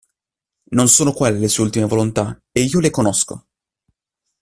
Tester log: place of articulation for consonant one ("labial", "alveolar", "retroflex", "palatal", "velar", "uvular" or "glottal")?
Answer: alveolar